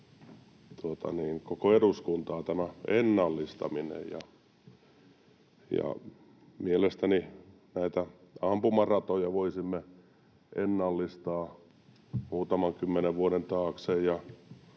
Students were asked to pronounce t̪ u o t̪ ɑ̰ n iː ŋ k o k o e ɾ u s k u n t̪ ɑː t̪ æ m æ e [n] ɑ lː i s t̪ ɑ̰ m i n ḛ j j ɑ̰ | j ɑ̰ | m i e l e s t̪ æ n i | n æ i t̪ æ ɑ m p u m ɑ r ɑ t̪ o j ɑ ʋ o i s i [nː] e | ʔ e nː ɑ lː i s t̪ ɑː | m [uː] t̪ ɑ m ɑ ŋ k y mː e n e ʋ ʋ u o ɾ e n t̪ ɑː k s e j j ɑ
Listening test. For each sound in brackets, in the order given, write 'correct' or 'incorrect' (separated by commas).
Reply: incorrect, incorrect, correct